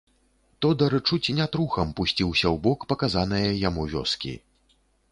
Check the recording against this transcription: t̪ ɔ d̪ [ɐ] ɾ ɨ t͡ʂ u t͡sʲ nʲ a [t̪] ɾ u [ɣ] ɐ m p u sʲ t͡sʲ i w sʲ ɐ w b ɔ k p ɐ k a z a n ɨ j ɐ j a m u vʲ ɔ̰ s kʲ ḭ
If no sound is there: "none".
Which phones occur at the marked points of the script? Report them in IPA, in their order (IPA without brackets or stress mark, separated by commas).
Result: ɐ, t̪, x